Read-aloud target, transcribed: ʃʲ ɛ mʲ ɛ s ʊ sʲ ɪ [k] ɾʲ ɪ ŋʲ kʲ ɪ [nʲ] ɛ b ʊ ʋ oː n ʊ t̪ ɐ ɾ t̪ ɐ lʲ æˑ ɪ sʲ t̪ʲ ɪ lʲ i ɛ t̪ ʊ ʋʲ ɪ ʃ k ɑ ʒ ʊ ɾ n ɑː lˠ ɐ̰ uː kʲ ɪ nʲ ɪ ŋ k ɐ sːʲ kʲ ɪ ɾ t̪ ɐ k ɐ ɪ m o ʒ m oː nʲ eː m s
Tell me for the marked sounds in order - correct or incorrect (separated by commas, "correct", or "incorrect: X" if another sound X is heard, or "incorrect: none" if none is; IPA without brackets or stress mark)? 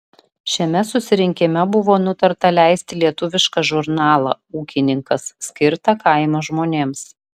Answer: incorrect: none, incorrect: mʲ